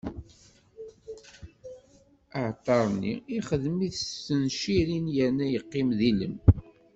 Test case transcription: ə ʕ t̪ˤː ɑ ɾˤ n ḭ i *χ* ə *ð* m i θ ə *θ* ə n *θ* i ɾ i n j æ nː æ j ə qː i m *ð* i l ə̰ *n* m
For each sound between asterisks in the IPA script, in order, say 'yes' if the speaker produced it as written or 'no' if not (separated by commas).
yes, yes, no, no, yes, no